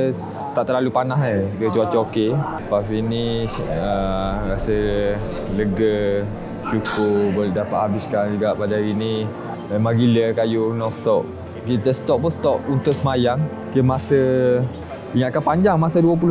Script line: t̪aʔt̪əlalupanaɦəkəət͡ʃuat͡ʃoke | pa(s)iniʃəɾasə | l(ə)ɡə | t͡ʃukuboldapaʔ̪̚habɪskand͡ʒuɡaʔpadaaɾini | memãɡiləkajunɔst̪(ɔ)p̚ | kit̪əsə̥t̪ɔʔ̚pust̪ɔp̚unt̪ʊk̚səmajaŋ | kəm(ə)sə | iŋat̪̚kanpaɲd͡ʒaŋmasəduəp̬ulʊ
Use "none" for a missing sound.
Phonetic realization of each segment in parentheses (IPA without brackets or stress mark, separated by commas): f, ə, ɔ, a